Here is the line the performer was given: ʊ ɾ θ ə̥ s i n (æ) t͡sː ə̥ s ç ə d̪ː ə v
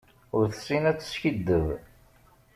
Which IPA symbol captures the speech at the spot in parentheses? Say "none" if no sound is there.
æ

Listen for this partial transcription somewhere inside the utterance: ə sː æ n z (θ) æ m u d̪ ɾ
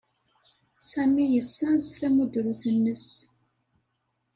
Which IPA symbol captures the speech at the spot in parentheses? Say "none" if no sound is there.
θ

